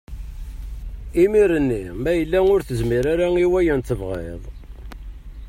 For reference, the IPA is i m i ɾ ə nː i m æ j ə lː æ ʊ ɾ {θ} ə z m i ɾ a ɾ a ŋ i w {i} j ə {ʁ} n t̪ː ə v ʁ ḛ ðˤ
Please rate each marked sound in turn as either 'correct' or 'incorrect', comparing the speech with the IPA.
correct, incorrect, incorrect

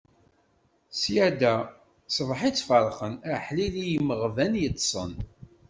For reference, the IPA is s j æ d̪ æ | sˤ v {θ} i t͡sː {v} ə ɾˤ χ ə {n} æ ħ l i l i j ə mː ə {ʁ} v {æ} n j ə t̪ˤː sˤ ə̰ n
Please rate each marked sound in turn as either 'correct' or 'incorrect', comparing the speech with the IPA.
incorrect, incorrect, correct, correct, correct

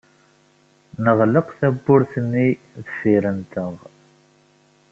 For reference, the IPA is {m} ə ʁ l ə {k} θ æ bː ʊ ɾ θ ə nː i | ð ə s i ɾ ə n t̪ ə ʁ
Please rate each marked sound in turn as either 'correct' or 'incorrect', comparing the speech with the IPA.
incorrect, incorrect

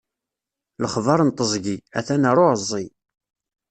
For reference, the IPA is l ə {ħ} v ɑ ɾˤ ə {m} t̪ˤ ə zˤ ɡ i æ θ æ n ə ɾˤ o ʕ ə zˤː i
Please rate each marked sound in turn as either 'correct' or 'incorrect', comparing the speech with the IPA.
incorrect, incorrect

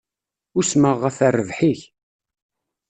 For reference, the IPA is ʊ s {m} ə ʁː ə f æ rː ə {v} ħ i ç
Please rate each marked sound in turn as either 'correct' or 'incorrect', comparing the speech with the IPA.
correct, correct

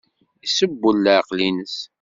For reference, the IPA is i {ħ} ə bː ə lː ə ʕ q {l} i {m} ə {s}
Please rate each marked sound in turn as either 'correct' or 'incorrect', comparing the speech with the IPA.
incorrect, correct, incorrect, correct

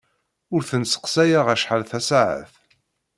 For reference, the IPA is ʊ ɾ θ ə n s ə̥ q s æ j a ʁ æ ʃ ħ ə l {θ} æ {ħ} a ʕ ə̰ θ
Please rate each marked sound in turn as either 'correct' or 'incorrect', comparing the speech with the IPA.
correct, incorrect

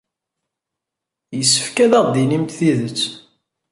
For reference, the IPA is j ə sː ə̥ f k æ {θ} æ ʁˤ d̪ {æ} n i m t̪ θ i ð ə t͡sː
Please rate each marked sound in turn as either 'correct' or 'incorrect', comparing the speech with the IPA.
incorrect, incorrect

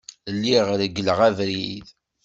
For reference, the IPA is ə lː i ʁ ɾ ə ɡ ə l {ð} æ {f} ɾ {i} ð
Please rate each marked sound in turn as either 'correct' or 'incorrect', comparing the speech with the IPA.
incorrect, incorrect, correct

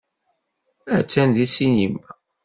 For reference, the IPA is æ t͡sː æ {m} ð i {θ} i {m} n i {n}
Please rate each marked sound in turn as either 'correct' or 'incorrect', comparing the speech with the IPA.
incorrect, incorrect, incorrect, incorrect

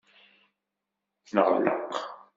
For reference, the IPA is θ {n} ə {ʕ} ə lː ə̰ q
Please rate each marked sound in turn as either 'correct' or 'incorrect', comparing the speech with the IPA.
correct, incorrect

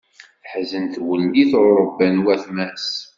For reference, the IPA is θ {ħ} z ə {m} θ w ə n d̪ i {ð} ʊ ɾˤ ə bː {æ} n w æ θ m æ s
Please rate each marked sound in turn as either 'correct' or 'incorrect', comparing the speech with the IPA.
correct, incorrect, incorrect, correct

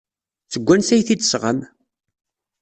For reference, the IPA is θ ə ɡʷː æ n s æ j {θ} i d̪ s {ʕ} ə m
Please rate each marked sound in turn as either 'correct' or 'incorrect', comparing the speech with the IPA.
correct, incorrect

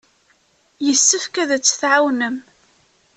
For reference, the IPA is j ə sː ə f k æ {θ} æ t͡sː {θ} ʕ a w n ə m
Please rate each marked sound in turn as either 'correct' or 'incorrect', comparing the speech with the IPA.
incorrect, correct

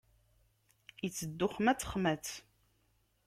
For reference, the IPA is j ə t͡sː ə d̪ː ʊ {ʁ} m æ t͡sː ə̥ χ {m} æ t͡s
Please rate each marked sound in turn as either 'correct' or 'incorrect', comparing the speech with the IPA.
incorrect, correct

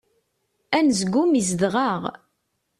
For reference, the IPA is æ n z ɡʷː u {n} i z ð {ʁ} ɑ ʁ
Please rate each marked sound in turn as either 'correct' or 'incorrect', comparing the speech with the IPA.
incorrect, correct

